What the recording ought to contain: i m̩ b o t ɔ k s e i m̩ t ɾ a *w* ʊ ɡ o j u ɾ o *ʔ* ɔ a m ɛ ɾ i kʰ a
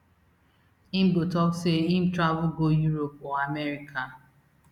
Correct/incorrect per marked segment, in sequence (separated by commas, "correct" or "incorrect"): incorrect, incorrect